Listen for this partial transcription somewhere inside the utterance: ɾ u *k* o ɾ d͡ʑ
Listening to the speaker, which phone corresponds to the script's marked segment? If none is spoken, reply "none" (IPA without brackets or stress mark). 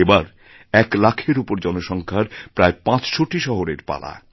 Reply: p